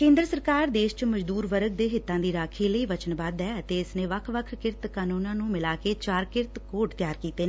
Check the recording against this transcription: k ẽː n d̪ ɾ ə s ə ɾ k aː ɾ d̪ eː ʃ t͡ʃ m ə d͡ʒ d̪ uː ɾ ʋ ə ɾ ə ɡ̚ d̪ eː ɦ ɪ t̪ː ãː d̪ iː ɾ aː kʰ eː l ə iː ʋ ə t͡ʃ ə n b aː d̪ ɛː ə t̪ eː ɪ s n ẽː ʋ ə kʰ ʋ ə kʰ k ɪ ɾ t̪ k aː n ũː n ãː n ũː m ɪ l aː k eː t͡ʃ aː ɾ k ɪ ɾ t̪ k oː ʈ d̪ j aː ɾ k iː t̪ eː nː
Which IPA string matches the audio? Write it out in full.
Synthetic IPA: k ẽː n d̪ ɾ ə s ə ɾ k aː ɾ d̪ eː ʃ t͡ʃ m ə d͡ʒ d̪ uː ɾ ʋ ə ɾ ə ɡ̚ d̪ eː ɦ ɪ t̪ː ãː d̪ iː ɾ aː kʰ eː l ə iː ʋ ə t͡ʃ ə n b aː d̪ ɛː ə t̪ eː ɪ s n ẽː ʋ ə kʰ ʋ ə kʰ k ɪ ɾ t̪ k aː n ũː n ãː n ũː m ɪ l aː k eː t͡ʃ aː ɾ k ɪ ɾ t̪ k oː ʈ t̪ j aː ɾ k iː t̪ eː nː